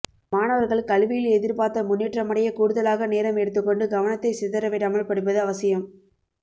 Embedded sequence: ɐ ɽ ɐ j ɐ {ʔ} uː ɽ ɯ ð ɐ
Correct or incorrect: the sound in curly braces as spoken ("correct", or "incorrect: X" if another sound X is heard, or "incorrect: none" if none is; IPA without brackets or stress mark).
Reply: incorrect: k